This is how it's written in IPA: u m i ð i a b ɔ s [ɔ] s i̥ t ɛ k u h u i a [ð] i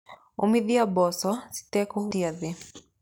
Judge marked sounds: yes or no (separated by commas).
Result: yes, yes